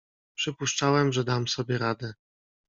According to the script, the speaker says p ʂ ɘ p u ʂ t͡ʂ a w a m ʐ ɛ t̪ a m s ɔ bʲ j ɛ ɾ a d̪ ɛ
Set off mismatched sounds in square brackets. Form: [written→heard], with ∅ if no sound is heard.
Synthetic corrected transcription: p ʂ ɘ p u ʂ t͡ʂ a w [a→ɛ] m ʐ ɛ [t̪→d̪] a m s ɔ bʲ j ɛ ɾ a d̪ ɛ